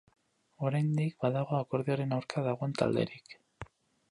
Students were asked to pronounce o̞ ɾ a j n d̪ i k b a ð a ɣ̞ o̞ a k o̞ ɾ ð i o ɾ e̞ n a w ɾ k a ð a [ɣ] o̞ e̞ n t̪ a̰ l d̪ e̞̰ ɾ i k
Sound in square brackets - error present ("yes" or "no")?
no